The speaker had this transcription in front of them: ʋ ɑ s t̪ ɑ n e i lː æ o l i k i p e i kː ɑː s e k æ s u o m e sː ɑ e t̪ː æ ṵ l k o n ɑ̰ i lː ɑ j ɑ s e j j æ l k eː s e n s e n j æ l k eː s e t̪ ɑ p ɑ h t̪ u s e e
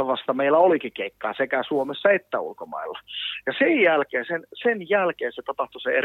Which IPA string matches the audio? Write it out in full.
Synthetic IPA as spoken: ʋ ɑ s t̪ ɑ m e i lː æ o l i k i k e i kː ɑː s e k æ s u o m e sː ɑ e t̪ː æ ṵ l k o m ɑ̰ i lː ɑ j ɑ s e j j æ l k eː s e n s e n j æ l k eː s e t̪ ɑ p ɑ h t̪ u s e e